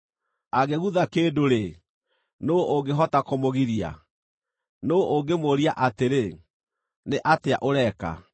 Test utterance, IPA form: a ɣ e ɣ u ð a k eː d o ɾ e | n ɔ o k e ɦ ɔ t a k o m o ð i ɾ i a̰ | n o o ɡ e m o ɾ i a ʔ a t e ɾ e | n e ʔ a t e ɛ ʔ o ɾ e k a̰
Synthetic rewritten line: a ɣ e ɣ u ð a k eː d o ɾ e | n o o ɡ e ɦ ɔ t a k o m o ɣ i ɾ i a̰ | n o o ɡ e m o ɾ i a ʔ a t e ɾ e | n e ʔ a t e a ʔ o ɾ ɛ k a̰

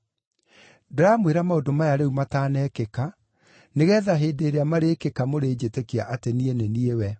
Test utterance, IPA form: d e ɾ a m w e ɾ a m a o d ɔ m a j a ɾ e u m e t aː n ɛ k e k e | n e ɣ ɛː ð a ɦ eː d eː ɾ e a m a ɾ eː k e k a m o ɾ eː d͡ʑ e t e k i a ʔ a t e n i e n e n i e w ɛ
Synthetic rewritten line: d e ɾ a m w e ɾ a m a o d o m a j a ɾ e u m a t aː n ɛ k e k a | n e ɣ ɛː ð a ɦ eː d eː ɾ e a m a ɾ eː k e k a m o ɾ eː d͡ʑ e t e k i a ʔ a t e n i e n e n i e w ɛ

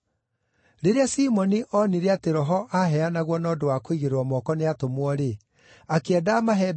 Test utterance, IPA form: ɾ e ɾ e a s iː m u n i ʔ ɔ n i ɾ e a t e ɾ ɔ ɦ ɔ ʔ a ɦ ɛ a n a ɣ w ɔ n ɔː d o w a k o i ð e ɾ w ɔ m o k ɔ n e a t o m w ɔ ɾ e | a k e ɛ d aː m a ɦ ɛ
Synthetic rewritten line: ɾ e ɾ e a s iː m ɔ n i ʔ ɔ n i ɾ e a t e ɾ ɔ ɦ ɔ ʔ a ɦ ɛ a n a ɣ w ɔ n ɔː d o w a k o i ɣ e ɾ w ɔ m ɔ k ɔ n e a t o m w ɔ ɾ e | a k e ɛ d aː m a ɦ ɛ

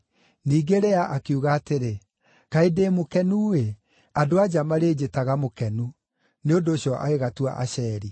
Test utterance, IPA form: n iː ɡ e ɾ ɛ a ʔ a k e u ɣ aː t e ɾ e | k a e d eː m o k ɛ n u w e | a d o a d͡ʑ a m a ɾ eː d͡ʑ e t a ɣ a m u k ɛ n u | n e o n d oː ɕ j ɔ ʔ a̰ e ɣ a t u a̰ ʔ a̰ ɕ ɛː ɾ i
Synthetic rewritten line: n iː ɡ e ɾ ɛ a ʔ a k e u ɣ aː t e ɾ e | k a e d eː m o k ɛ n u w e | a d o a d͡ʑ a m a ɾ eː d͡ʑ e t a ɣ a m o k ɛ n u | n e o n d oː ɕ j ɔ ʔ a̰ e ɣ a t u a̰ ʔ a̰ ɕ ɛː ɾ i

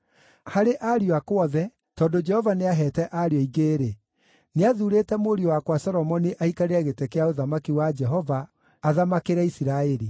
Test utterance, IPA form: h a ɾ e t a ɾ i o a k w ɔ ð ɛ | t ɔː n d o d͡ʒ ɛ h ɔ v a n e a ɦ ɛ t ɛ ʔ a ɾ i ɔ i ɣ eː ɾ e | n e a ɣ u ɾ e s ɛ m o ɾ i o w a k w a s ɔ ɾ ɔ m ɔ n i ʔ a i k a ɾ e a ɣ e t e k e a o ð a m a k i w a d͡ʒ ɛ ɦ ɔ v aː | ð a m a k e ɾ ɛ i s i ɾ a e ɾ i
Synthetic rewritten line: h a ɾ e ʔ a ɾ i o a k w ɔ ð ɛ | t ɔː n d o d͡ʒ ɛ h ɔ v a n e a ɦ ɛ t ɛ ʔ a ɾ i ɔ i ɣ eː ɾ e | n e a ð u ɾ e t ɛ m o ɾ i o w a k w a s ɔ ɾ ɔ m ɔ n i ʔ a i k a ɾ e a ɣ e t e k e a o ð a m a k i w a d͡ʒ ɛ ɦ ɔ v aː | ð a m a k e ɾ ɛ i s i ɾ a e ɾ i

